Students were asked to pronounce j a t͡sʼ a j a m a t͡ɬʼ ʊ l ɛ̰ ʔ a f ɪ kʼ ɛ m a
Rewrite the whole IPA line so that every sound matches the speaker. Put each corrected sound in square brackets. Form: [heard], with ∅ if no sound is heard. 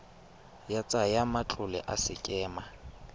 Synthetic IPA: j a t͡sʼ a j a m a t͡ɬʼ ʊ l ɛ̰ ʔ a [s] ɪ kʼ [ɛː] m a